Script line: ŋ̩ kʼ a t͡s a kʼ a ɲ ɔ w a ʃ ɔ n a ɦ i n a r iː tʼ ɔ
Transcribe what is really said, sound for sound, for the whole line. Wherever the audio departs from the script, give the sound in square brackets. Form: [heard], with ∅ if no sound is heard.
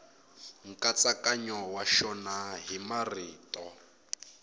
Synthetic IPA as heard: ŋ̩ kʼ a t͡s a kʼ a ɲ ɔ w a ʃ ɔ n a ɦ i [m] a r iː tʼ ɔ